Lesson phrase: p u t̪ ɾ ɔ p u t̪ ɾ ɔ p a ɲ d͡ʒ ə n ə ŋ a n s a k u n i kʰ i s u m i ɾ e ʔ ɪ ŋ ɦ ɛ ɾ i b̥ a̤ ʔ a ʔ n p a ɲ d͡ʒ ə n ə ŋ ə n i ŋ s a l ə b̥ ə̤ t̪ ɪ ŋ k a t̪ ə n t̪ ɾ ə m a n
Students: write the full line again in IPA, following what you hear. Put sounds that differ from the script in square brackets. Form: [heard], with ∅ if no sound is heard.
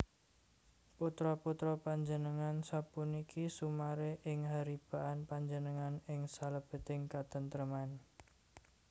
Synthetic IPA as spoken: p u t̪ ɾ ɔ p u t̪ ɾ ɔ p a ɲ d͡ʒ ə n ə ŋ a n s a [p] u n i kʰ i s u m [a] ɾ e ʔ ɪ ŋ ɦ [a] ɾ i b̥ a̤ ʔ a [∅] n p a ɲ d͡ʒ ə n ə ŋ [a] n [ɪ] ŋ s a l ə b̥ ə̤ t̪ ɪ ŋ k a t̪ ə n t̪ ɾ ə m a n